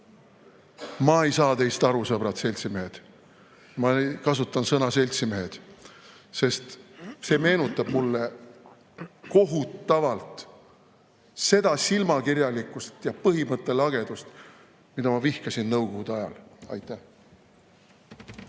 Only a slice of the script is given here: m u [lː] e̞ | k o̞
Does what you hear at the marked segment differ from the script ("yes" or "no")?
no